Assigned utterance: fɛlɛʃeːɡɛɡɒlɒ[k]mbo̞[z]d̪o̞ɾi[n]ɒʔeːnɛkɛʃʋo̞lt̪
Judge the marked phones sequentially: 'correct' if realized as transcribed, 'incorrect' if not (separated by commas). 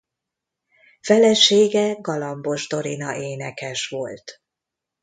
incorrect, incorrect, correct